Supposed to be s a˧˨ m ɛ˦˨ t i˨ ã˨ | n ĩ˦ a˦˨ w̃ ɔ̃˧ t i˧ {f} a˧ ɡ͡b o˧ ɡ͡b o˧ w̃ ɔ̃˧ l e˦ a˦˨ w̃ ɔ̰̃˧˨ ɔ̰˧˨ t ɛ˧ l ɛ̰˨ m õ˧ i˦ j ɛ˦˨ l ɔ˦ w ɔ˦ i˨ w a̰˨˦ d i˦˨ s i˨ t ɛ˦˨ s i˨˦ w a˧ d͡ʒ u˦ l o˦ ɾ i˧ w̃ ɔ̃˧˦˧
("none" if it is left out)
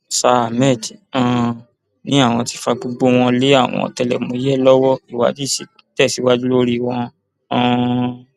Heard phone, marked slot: f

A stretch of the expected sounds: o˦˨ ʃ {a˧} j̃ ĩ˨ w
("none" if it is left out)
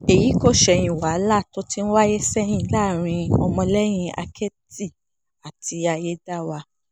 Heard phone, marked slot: ɛ˧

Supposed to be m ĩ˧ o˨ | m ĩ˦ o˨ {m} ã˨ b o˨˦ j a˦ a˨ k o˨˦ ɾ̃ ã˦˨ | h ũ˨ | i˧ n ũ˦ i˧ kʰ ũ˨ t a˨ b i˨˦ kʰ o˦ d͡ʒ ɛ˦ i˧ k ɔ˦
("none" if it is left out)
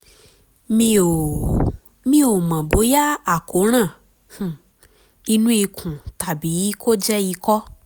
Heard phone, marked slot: m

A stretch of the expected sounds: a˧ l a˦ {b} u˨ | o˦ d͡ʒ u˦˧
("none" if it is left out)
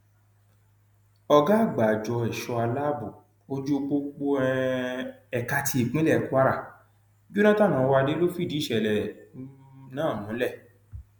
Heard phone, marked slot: b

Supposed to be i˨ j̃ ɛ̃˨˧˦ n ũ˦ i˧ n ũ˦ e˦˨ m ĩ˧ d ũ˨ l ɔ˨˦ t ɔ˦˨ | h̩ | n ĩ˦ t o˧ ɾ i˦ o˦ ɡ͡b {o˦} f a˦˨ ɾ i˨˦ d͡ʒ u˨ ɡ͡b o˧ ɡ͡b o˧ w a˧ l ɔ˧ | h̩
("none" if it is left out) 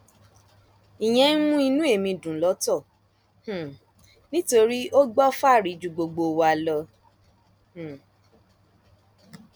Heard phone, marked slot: ɔ˦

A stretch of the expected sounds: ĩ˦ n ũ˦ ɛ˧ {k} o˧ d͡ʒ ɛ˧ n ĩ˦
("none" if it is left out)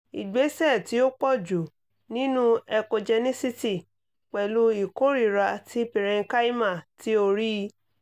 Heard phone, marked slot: k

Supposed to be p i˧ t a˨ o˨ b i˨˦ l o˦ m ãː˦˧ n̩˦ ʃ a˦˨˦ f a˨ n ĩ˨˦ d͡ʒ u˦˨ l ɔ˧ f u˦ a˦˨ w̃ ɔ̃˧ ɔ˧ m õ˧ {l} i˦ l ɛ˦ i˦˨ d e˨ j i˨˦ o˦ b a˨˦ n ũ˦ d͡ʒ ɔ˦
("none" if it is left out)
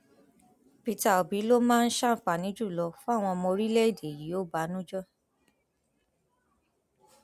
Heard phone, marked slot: ɾ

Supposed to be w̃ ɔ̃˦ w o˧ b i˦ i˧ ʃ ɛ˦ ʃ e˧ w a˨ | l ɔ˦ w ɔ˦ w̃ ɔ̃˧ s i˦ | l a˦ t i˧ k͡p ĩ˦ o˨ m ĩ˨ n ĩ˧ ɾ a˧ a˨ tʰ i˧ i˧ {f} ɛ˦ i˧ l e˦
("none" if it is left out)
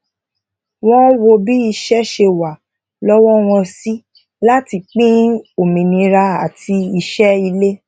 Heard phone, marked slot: ʃ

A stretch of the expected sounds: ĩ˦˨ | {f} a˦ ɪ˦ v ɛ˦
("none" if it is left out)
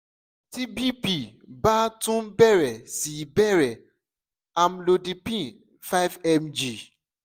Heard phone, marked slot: f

